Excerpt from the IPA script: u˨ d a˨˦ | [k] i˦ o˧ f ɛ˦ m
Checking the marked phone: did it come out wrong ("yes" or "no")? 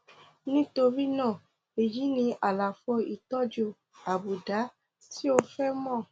yes